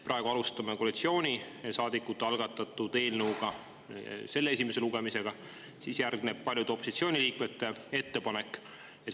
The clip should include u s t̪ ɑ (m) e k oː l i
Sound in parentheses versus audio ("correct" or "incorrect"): correct